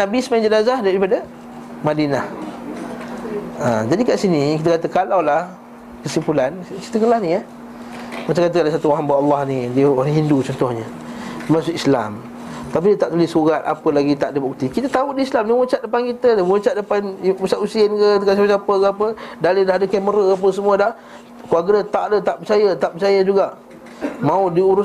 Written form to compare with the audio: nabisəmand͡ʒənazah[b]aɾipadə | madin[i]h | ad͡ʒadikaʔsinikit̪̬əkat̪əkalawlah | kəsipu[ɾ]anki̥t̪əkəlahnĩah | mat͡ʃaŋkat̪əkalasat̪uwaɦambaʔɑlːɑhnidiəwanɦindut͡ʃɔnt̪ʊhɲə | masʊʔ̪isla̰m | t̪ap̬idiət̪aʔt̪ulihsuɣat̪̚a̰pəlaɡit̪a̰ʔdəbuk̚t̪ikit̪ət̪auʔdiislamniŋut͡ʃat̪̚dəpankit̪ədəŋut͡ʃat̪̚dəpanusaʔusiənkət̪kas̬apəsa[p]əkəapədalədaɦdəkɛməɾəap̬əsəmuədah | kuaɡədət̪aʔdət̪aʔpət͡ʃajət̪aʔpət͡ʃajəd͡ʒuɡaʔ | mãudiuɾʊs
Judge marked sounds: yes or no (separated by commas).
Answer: no, no, no, yes